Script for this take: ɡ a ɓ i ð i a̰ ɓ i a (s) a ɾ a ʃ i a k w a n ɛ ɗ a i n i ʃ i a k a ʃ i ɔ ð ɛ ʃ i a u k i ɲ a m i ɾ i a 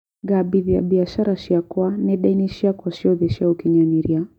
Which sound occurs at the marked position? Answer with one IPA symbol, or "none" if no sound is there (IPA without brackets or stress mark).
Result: ʃ